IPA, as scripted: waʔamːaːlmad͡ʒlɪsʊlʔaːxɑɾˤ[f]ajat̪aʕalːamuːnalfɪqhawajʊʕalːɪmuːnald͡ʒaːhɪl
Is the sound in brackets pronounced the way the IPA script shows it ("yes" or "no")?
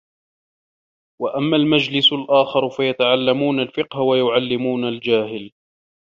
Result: yes